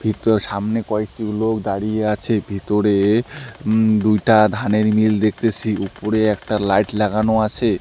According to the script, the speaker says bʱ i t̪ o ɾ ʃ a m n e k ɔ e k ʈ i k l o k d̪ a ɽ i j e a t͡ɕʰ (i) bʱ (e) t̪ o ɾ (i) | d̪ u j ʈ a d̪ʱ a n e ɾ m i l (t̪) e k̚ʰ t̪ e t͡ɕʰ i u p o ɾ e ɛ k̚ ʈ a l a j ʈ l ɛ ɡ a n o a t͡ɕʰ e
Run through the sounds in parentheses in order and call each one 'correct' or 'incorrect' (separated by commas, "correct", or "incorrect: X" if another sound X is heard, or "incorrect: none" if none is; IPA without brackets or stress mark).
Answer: incorrect: e, incorrect: i, incorrect: e, incorrect: d̪